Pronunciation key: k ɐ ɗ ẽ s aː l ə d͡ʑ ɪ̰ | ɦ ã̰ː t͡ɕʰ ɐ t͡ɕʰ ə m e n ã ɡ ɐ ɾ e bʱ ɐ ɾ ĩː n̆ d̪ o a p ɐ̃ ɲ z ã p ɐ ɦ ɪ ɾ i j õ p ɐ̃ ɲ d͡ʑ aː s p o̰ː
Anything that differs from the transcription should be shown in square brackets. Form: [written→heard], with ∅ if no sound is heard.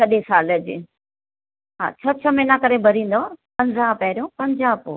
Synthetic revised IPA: k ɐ ɗ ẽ s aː l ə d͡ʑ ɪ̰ | ɦ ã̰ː t͡ɕʰ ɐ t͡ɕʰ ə m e n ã [ɡ→k] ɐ ɾ e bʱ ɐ ɾ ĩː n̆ d̪ o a p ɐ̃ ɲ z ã p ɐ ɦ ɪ ɾ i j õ p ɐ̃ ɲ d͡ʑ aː [s→∅] p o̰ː